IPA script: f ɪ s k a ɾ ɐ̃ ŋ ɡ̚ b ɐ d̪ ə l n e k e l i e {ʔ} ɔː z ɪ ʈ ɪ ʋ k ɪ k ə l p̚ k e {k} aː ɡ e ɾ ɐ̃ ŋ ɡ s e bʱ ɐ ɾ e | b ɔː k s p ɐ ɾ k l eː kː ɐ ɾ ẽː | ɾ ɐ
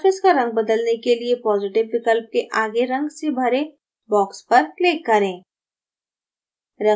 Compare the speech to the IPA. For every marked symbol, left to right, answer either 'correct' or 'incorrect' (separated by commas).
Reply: incorrect, incorrect